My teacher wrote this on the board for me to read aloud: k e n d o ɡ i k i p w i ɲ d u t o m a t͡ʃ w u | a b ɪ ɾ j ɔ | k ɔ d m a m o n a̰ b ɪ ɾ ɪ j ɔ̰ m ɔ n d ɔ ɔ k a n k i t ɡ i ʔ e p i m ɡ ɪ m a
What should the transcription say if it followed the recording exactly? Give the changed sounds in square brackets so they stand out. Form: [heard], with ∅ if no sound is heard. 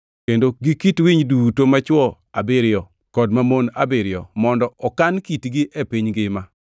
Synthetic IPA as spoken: k e n d o ɡ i k i [t] w i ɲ d u t o m a t͡ʃ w [ɔ] | a b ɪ ɾ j ɔ | k ɔ d m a m o n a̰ b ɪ ɾ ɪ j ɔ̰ m ɔ n d ɔ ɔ k a n k i t ɡ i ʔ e p i [ɲ] ɡ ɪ m a